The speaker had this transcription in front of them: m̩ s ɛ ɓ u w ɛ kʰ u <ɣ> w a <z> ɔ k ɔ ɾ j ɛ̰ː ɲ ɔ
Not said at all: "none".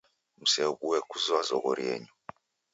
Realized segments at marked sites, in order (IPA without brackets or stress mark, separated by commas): z, z